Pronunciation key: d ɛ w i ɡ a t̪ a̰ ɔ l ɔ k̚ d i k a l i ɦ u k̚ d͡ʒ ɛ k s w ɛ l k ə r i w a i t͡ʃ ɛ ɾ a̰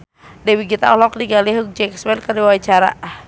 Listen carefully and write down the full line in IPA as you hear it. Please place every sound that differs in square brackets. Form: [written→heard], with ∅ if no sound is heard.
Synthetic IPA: d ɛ w i ɡ [a→i] t̪ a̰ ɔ l ɔ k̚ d i [k→ɡ] a l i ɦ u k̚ d͡ʒ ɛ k s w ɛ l k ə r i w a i t͡ʃ [ɛ→a] ɾ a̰